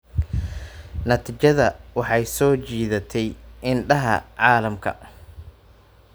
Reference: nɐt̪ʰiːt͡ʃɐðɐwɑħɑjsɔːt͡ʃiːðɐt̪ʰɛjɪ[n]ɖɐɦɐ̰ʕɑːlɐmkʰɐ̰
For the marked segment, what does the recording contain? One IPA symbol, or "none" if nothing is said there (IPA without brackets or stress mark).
n